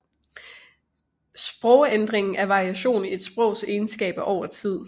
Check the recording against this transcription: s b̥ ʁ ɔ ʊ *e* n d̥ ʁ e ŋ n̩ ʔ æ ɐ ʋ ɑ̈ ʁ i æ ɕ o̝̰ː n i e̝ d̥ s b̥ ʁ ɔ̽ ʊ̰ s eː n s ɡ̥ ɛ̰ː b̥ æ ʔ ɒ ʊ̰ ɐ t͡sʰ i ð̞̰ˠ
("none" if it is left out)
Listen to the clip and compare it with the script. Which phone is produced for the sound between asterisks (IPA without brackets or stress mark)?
e